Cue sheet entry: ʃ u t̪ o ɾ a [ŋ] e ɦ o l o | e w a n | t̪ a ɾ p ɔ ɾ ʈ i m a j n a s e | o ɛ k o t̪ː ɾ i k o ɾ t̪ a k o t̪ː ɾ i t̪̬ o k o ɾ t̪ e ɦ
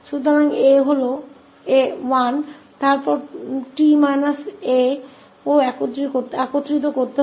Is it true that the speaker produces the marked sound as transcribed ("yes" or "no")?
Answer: yes